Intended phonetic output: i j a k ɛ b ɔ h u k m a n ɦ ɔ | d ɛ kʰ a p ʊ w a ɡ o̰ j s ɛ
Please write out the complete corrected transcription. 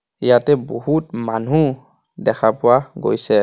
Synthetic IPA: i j a t ɛ b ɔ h u t m a n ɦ u | d ɛ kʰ a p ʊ w a ɡ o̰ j s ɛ